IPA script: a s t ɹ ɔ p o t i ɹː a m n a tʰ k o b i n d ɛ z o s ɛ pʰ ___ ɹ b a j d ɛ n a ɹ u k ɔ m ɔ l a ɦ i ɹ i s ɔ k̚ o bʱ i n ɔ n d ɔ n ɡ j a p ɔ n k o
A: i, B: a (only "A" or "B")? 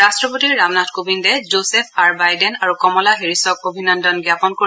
B